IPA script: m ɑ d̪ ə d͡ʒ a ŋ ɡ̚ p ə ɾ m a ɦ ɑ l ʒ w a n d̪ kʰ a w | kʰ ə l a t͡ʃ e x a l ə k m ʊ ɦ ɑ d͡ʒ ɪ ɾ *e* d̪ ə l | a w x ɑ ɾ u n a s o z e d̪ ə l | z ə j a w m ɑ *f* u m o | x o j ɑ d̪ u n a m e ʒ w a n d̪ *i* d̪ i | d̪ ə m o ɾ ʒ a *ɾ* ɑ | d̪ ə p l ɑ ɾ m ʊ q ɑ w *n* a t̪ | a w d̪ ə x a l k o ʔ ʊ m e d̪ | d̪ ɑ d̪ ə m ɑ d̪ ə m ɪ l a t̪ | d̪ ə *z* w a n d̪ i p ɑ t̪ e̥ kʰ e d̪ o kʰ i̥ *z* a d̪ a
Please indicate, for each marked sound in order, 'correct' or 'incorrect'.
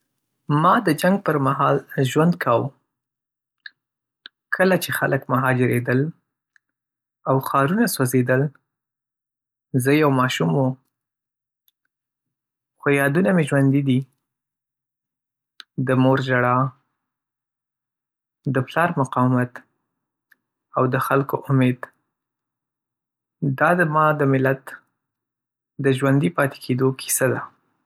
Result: correct, incorrect: ʃ, correct, incorrect: ɽ, incorrect: m, incorrect: ʒ, incorrect: s

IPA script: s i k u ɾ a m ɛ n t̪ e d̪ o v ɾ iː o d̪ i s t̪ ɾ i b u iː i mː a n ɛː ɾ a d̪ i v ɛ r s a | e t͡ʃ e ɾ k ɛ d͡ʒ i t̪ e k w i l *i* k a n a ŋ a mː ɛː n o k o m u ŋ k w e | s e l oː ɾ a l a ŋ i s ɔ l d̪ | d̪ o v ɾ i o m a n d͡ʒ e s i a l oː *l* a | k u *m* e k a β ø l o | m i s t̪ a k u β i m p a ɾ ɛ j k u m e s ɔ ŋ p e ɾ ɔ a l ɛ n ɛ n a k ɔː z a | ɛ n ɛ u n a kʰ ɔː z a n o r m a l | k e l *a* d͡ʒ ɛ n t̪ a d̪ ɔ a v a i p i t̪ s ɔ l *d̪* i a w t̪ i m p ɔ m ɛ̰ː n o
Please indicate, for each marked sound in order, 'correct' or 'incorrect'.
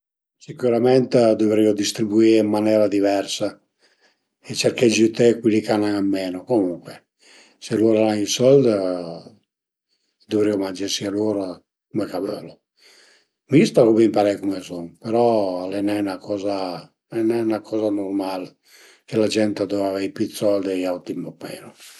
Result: correct, incorrect: ɾ, correct, correct, correct

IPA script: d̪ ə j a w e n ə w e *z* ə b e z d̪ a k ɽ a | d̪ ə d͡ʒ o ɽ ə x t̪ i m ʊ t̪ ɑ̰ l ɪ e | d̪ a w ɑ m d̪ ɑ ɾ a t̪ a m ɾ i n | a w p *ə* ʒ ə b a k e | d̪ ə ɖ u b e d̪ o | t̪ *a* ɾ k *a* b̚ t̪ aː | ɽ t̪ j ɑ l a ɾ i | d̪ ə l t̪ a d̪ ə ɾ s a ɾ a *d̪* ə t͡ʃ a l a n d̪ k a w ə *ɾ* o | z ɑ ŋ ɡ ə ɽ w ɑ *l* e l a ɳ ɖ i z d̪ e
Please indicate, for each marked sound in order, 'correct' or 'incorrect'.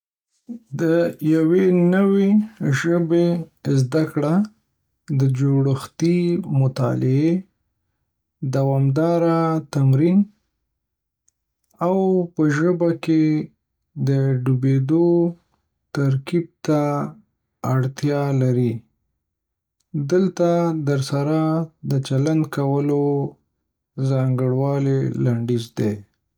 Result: incorrect: ʒ, correct, correct, incorrect: i, correct, incorrect: l, correct

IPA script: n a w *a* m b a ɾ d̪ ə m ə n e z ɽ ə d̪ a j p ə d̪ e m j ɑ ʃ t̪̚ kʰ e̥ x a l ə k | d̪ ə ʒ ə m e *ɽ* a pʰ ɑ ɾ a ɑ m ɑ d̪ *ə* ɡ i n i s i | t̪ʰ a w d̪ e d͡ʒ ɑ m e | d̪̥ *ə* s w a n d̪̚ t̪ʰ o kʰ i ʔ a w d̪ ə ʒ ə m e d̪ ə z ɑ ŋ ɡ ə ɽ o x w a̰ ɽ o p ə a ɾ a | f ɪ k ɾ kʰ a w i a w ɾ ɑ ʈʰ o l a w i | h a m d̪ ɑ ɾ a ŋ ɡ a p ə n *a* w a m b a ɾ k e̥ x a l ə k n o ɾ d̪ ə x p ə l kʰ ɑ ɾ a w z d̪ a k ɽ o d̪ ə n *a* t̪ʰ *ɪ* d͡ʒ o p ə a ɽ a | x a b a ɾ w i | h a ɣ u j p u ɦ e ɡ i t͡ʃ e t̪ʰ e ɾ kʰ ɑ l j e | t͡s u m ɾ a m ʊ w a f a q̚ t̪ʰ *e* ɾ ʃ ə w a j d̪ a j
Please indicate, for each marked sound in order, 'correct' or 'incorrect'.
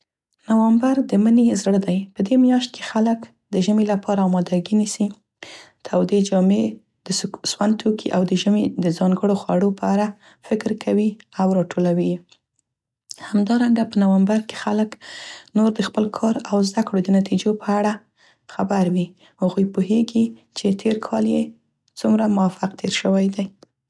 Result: correct, incorrect: l, incorrect: a, correct, correct, correct, incorrect: i, correct

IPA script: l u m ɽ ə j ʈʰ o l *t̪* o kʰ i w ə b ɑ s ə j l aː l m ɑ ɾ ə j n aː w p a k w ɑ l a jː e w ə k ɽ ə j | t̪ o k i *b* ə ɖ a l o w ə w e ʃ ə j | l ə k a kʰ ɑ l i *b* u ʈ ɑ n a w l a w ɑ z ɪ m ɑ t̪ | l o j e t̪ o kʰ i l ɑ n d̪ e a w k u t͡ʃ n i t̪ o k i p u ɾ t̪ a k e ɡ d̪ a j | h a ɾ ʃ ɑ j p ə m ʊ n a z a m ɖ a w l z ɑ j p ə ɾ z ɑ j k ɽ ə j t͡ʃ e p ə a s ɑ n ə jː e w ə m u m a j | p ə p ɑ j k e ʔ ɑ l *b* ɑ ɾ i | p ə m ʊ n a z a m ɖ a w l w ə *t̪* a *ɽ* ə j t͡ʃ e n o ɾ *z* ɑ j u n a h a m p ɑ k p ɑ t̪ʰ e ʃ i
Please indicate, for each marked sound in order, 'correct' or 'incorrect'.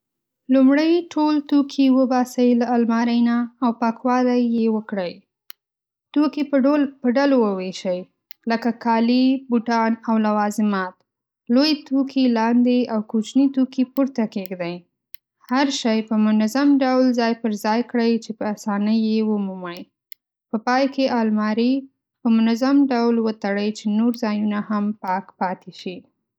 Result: correct, incorrect: p, correct, incorrect: m, correct, correct, correct

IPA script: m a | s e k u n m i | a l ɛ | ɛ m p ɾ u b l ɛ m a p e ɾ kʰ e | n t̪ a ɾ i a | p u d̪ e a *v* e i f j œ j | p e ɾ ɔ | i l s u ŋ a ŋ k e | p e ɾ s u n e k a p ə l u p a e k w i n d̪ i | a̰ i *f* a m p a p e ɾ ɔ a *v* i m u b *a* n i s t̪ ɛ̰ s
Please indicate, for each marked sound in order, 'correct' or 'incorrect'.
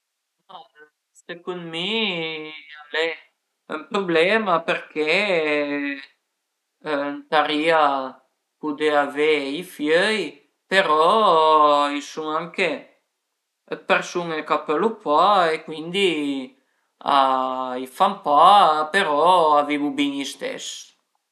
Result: correct, correct, correct, incorrect: i

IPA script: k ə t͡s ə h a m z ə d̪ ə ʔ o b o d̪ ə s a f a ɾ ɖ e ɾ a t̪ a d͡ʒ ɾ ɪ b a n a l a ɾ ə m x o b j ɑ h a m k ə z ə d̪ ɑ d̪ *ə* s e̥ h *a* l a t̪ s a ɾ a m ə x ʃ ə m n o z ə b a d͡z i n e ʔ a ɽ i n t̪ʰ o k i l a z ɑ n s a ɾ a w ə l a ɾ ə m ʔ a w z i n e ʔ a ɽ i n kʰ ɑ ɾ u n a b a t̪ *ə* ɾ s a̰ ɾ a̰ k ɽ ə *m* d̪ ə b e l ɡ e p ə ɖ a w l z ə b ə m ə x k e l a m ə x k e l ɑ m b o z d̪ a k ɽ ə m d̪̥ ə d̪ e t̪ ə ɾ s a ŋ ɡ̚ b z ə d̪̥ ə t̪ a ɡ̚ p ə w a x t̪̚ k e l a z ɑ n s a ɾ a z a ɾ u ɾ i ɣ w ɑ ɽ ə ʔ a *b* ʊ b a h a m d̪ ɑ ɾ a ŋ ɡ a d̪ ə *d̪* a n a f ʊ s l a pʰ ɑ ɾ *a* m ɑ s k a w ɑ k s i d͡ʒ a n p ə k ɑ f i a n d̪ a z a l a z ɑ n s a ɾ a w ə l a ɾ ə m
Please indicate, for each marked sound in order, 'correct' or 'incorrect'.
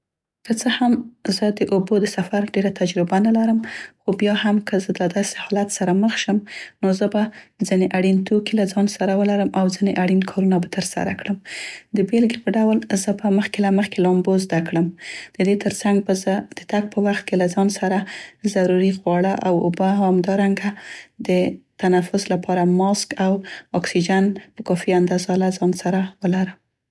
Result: incorrect: ɑ, incorrect: ɑ, correct, correct, incorrect: w, incorrect: t̪, correct

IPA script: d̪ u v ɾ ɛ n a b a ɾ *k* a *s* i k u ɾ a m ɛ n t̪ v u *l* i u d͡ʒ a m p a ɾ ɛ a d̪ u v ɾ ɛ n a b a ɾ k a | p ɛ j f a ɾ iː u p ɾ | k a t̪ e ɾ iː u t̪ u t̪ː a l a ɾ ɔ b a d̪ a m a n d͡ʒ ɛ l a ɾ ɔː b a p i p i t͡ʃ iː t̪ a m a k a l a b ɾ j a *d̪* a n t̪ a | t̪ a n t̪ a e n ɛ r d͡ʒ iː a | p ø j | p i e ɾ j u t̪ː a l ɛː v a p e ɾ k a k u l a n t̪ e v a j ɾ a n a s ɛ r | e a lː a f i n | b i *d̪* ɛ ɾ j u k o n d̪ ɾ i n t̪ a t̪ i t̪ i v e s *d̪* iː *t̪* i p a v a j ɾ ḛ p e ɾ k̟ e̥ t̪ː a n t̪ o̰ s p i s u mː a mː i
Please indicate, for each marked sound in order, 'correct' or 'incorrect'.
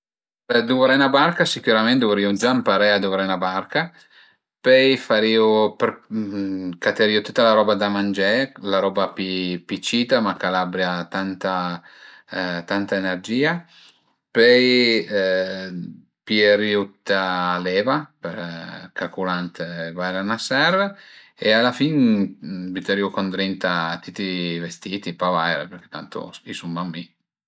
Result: correct, correct, incorrect: ɾ, incorrect: t̪, incorrect: t̪, incorrect: t̪, correct

